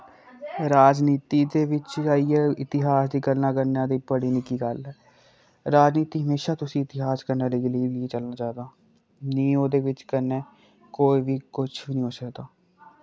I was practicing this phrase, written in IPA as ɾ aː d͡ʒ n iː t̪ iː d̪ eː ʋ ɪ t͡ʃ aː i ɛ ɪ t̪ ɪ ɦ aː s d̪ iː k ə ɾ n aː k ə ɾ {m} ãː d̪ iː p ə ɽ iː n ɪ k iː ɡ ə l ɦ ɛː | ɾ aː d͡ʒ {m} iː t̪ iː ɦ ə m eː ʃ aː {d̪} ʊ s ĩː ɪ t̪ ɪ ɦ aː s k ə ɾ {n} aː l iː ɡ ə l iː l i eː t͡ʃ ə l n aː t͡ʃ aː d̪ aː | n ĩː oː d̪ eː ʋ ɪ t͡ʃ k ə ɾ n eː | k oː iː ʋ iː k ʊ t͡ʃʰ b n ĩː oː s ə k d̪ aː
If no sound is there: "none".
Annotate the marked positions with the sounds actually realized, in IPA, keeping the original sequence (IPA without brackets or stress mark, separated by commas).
n, n, t̪, n